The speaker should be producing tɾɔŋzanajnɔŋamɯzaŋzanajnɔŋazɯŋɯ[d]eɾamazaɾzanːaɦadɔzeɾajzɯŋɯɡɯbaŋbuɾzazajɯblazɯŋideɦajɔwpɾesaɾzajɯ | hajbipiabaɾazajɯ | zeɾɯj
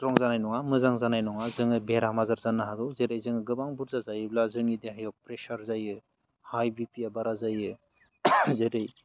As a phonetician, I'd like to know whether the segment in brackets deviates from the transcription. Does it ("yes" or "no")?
yes